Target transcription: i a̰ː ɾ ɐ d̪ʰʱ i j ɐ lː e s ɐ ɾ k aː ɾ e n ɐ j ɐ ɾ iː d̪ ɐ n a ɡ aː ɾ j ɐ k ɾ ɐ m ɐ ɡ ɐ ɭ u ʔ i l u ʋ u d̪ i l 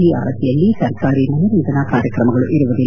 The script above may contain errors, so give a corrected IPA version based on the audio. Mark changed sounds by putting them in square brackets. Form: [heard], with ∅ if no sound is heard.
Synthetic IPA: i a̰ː ɾ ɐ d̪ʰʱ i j ɐ lː [i] s ɐ ɾ k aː ɾ [i] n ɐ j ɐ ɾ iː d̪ ɐ n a [k] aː ɾ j ɐ k ɾ ɐ m ɐ ɡ ɐ ɭ u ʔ i [ɾ] u ʋ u d̪ i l